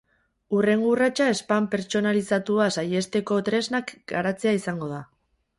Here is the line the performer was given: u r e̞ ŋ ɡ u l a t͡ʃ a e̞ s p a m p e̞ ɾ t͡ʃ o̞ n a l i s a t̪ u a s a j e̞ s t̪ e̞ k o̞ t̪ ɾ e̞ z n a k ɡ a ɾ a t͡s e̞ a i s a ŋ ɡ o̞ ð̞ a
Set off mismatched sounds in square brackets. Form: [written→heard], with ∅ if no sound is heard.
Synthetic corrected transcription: u r e̞ ŋ ɡ u [l→r] a t͡ʃ a e̞ s p a m p e̞ ɾ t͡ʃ o̞ n a l i s a t̪ u a s a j e̞ s t̪ e̞ k o̞ t̪ ɾ e̞ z n a k ɡ a ɾ a t͡s e̞ a i s a ŋ ɡ o̞ ð̞ a